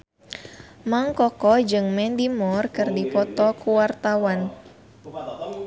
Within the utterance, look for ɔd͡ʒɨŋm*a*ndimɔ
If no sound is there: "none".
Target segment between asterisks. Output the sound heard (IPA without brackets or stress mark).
ɛ